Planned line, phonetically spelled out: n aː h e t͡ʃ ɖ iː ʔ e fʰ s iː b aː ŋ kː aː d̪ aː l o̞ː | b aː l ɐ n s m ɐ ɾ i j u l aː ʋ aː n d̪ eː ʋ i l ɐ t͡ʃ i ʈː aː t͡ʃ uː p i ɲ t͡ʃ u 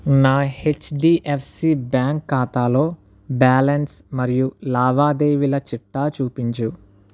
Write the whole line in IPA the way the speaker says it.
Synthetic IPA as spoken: n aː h e t͡ʃ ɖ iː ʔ e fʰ s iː b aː ŋ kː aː t̪ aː l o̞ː | b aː l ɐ n s m ɐ ɾ i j u l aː ʋ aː d̪ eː ʋ i l ɐ t͡ʃ i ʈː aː t͡ʃ uː p i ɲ t͡ʃ u

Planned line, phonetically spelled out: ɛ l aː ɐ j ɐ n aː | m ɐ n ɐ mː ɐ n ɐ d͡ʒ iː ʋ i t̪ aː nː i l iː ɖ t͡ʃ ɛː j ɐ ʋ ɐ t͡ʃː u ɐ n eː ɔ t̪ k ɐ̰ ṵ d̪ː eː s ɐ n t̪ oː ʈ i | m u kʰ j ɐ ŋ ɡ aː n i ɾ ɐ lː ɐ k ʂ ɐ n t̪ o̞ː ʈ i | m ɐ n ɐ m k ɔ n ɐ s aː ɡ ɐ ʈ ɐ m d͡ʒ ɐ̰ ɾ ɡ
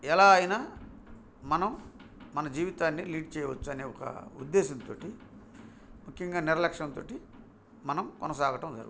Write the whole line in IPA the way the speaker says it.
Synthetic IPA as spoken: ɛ l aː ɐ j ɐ n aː | m ɐ n ɐ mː ɐ n ɐ d͡ʒ iː ʋ i t̪ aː nː i l iː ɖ t͡ʃ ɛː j ɐ ʋ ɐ t͡ʃː u ɐ n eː ɔ k ɐ̰ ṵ d̪ː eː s ɐ n t̪ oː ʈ i | m u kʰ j ɐ ŋ ɡ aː n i ɾ ɐ l ɐ k ʂ ɐ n t̪ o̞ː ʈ i | m ɐ n ɐ m k ɔ n ɐ s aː ɡ ɐ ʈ ɐ m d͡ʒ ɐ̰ ɾ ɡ

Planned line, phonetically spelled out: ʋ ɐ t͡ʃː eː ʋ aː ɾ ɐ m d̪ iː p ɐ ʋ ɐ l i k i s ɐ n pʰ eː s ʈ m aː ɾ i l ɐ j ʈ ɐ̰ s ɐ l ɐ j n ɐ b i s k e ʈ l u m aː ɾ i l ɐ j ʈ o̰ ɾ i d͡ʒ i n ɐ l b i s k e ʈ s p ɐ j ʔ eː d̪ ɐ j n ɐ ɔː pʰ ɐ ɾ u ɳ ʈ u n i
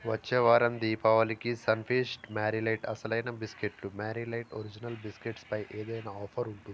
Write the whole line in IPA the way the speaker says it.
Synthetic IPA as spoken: ʋ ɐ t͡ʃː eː ʋ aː ɾ ɐ m d̪ iː p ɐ ʋ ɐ l i k i s ɐ n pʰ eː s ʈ m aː ɾ i l ɐ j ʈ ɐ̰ s ɐ l ɐ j n ɐ b i s k e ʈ l u m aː ɾ i l ɐ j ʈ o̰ ɾ i d͡ʒ i n ɐ l b i s k e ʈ s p ɐ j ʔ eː d̪ ɐ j n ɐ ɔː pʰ ɐ ɾ u ɳ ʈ u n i

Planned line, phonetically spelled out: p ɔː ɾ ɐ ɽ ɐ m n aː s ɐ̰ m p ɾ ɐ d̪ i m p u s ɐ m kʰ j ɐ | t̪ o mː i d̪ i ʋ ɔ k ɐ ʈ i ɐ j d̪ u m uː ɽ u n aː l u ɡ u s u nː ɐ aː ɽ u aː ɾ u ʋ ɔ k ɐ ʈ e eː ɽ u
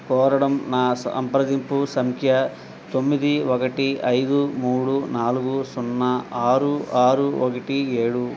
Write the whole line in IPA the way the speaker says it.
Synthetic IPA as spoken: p ɔː ɾ ɐ ɽ ɐ m n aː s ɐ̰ m p ɾ ɐ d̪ i m p u s ɐ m kʰ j ɐ | t̪ o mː i d̪ i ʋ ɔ k ɐ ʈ i ɐ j d̪ u m uː ɽ u n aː l u ɡ u s u nː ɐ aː ɾ u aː ɾ u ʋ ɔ k ɐ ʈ i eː ɽ u

